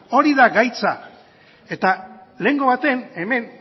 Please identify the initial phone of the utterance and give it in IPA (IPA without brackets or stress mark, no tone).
o̞